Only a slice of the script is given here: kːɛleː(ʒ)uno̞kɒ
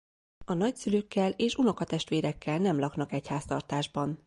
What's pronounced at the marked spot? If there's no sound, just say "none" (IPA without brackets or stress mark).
ʃ